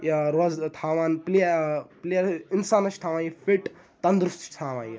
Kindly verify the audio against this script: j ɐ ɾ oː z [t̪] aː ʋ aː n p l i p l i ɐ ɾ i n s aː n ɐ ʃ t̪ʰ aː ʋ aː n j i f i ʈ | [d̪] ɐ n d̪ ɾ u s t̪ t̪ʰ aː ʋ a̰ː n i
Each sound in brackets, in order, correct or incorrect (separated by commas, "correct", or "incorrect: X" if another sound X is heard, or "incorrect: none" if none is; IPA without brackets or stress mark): incorrect: t̪ʰ, incorrect: t̪